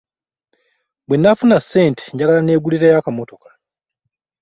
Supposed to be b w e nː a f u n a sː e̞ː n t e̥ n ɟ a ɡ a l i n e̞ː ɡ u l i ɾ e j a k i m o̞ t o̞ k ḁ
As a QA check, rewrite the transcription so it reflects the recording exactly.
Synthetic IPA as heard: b w e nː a f u n a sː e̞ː n t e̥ ɲ ɟ a ɡ a l a n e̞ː ɡ u l i ɾ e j a k a m o̞ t o̞ k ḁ